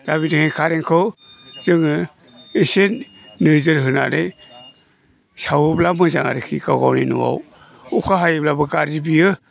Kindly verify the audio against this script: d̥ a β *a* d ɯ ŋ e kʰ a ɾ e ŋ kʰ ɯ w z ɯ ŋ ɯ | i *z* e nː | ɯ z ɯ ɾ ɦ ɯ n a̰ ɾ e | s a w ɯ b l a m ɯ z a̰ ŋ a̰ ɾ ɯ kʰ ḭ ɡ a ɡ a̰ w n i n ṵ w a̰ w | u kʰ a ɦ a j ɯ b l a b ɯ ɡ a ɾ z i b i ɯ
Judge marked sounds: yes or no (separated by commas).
no, no